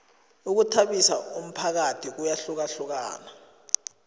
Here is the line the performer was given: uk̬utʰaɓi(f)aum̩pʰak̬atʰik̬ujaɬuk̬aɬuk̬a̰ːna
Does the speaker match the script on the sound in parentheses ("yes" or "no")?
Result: no